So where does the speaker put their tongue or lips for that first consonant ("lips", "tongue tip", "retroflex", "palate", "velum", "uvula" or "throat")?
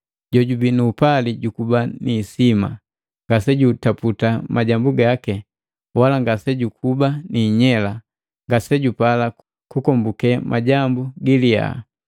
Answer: palate